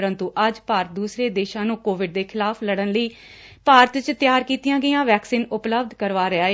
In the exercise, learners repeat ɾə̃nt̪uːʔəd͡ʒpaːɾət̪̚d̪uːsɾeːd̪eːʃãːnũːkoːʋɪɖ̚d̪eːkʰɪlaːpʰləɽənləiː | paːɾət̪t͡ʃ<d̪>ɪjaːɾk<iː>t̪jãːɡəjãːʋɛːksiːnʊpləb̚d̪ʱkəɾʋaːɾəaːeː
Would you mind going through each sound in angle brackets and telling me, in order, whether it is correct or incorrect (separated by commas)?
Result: incorrect, correct